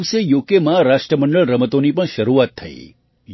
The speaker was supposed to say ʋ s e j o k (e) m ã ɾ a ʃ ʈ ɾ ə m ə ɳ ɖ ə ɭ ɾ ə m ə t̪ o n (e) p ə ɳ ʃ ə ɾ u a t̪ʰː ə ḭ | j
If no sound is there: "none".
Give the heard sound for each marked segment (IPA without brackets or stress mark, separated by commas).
e, i